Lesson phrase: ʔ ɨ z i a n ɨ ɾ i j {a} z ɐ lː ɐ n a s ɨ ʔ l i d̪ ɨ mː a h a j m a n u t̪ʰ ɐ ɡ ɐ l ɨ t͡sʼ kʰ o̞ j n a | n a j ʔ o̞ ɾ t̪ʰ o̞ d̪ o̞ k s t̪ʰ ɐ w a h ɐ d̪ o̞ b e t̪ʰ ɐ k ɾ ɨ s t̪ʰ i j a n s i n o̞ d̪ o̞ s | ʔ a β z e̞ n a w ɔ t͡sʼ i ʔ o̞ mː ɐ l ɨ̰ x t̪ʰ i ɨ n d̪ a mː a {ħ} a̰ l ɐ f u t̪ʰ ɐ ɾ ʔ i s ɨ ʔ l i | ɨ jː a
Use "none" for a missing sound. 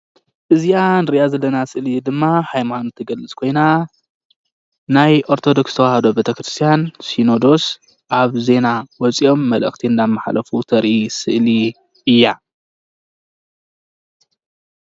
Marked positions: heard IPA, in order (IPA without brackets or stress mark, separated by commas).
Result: a, ħ